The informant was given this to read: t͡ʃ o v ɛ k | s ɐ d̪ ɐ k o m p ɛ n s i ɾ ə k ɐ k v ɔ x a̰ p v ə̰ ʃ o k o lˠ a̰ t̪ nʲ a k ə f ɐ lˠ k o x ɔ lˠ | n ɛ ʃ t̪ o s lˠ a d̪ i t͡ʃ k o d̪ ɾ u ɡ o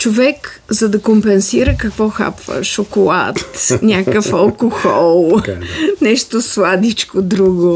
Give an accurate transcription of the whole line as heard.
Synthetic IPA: t͡ʃ o v ɛ k | z ɐ d̪ ɐ k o m p ɛ n s i ɾ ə k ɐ k v ɔ x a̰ p v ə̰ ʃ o k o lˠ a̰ t̪ nʲ a k ə f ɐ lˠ k o x ɔ lˠ | n ɛ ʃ t̪ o s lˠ a d̪ i t͡ʃ k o d̪ ɾ u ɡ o